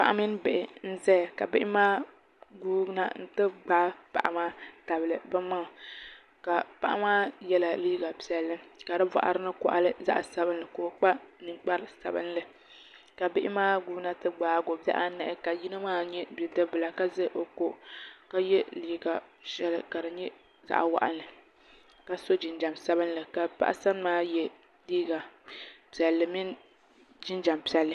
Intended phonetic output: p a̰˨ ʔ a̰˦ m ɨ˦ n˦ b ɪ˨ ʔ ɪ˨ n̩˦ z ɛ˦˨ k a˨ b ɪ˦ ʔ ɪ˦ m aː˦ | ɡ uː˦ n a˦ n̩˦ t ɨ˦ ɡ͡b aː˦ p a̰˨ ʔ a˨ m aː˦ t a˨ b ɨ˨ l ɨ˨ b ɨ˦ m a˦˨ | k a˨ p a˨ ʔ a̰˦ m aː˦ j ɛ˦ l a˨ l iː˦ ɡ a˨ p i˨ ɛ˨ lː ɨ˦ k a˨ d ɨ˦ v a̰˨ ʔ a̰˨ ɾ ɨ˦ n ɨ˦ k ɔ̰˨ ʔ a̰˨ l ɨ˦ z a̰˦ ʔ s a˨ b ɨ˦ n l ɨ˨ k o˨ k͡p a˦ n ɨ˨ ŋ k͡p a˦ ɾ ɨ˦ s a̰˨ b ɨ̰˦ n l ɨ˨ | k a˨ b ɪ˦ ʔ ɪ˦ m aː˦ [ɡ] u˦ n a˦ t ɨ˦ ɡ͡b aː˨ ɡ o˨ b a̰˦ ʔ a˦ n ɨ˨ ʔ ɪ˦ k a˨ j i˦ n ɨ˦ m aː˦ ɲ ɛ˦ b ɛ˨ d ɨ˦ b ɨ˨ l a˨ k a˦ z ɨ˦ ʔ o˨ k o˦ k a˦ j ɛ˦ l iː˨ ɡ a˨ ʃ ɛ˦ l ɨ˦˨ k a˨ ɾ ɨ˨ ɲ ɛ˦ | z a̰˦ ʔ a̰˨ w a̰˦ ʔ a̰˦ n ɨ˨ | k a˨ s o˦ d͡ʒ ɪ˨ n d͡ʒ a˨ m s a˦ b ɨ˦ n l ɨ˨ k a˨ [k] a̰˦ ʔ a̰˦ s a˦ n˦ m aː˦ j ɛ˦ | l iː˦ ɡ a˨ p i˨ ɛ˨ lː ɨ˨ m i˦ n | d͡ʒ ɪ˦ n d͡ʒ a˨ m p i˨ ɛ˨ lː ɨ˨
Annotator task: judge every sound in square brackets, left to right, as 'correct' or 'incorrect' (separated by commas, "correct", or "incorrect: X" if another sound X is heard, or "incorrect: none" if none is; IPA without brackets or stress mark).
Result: correct, incorrect: p